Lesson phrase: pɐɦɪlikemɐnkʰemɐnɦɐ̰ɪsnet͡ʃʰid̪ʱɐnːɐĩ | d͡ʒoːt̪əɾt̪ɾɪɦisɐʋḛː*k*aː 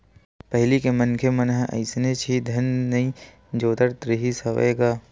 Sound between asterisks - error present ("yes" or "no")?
yes